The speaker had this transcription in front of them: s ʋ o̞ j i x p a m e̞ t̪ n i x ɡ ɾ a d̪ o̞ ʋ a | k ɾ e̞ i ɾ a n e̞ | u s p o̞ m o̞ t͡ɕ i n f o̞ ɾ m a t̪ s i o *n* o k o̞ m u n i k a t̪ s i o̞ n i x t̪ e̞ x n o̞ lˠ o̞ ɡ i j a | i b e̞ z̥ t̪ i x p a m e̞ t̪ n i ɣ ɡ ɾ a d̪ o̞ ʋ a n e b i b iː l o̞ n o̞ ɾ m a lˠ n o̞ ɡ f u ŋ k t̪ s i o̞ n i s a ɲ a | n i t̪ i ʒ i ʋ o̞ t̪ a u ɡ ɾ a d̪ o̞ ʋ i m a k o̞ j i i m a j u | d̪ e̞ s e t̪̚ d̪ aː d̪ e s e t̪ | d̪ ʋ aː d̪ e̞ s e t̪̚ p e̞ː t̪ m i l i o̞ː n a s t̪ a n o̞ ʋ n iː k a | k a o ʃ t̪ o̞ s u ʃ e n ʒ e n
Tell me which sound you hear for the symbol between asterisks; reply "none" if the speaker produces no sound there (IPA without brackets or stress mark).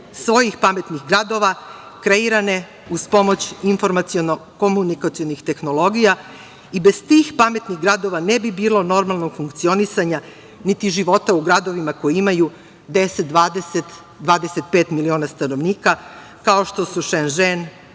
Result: n